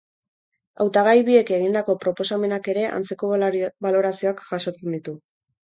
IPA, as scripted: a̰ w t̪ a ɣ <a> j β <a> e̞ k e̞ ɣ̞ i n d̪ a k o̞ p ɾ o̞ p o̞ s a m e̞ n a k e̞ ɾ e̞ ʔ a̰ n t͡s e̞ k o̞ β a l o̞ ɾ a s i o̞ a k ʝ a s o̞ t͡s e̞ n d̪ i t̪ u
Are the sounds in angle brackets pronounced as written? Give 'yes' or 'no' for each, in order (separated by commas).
yes, no